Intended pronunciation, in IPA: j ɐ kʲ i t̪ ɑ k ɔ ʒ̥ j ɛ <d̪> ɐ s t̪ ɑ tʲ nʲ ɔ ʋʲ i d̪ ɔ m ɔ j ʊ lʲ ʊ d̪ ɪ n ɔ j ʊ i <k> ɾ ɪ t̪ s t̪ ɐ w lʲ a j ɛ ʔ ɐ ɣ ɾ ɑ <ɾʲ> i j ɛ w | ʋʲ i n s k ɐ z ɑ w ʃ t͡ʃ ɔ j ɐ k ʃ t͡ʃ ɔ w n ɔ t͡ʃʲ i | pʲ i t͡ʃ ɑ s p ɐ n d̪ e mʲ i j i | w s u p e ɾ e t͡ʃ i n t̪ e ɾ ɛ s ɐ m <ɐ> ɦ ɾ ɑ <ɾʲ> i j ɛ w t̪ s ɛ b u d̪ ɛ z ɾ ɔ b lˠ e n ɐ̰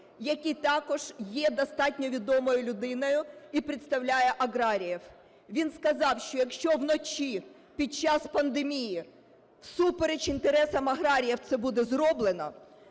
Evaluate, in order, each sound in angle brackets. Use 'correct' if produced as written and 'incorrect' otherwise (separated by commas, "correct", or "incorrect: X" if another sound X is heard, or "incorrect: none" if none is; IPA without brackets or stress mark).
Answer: correct, incorrect: p, correct, correct, correct